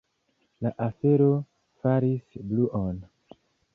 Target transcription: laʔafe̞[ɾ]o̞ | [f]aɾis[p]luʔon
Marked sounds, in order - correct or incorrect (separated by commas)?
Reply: correct, correct, incorrect